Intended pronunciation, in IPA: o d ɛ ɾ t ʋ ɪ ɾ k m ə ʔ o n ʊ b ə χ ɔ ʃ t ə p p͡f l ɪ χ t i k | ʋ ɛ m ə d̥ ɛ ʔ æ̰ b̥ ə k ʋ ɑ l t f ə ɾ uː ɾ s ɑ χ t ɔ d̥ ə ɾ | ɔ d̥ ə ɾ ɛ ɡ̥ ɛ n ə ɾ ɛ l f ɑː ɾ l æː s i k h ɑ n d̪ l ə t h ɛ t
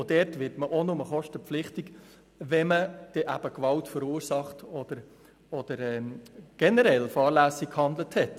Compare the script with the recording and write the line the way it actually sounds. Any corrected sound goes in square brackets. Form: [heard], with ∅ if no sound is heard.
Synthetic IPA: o d ɛ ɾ t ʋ ɪ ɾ [t] m ə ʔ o n ʊ [m] ə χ ɔ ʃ t ə p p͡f l ɪ χ t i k | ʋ ɛ m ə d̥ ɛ ʔ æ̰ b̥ ə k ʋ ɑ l t f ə ɾ uː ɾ s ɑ χ t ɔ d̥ ə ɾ | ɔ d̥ ə ɾ ɛ ɡ̥ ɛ n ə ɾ ɛ l f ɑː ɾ l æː s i k h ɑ n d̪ l ə t h ɛ t